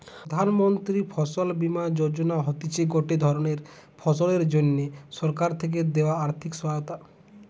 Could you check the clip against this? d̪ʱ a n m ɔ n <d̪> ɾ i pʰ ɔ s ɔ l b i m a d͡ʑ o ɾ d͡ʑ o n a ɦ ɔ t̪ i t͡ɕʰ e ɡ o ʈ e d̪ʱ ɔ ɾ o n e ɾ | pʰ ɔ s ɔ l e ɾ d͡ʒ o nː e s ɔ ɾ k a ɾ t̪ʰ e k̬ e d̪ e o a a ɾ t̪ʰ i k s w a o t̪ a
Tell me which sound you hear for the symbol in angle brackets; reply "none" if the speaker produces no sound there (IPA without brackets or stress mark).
t̪